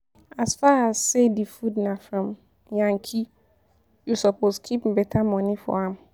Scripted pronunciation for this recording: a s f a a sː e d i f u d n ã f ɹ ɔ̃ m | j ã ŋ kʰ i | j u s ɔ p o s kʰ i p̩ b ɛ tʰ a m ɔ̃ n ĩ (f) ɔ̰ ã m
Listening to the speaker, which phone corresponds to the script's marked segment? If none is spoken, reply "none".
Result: f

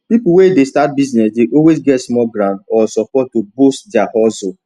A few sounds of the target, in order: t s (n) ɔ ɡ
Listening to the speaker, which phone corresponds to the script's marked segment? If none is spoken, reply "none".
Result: m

